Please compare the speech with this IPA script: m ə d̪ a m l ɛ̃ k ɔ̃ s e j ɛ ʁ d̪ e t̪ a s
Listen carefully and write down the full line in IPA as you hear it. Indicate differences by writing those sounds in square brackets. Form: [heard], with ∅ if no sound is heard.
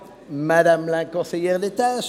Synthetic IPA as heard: m [a] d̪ a m l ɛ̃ k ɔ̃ s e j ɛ ʁ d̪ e t̪ a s